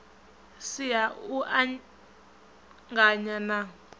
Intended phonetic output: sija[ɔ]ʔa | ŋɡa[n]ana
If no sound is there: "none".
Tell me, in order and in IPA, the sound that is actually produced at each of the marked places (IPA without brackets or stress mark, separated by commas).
u, ɲ